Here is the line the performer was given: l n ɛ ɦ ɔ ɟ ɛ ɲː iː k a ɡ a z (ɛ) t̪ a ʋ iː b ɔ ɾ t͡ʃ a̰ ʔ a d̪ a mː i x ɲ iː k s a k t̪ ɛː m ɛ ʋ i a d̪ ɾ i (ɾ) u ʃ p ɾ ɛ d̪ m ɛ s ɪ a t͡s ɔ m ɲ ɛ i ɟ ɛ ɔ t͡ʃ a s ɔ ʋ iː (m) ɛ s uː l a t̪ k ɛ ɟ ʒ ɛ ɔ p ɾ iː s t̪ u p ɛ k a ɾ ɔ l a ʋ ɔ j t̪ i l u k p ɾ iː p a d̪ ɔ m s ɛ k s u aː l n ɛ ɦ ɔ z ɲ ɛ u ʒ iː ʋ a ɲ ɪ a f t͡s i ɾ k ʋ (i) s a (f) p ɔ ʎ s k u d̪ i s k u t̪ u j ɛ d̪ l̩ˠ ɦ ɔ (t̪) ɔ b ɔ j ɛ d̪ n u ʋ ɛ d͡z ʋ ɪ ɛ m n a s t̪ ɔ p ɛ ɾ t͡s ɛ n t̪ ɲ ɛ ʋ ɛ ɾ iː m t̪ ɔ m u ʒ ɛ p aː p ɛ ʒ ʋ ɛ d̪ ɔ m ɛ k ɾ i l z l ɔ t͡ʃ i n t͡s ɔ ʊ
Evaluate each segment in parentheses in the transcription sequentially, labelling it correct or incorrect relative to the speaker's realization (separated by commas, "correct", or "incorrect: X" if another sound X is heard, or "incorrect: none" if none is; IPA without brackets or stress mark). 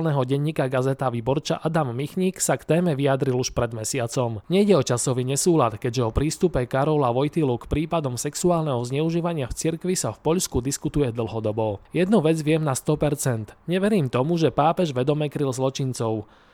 correct, incorrect: l, incorrect: ɲ, correct, correct, incorrect: d̪